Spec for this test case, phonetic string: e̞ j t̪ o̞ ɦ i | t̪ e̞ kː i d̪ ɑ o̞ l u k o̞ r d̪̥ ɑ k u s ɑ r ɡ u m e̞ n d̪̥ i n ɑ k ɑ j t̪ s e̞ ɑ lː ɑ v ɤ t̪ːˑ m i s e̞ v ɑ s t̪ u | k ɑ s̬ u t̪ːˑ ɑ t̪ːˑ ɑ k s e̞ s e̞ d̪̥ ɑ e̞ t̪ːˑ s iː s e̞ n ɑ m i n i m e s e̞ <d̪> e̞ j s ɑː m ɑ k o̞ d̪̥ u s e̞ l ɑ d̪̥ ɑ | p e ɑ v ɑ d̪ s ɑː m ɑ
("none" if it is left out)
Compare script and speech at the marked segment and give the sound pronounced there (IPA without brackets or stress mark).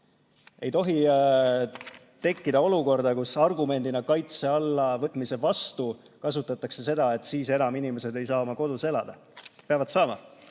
d̪